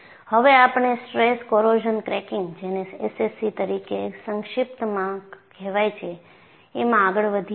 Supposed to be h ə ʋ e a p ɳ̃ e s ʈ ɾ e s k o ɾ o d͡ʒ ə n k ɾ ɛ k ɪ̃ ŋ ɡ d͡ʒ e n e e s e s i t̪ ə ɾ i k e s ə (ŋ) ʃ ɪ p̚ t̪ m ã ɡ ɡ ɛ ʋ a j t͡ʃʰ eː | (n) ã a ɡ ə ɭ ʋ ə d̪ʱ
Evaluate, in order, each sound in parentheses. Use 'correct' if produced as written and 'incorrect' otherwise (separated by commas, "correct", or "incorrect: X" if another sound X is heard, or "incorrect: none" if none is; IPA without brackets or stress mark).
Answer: correct, incorrect: m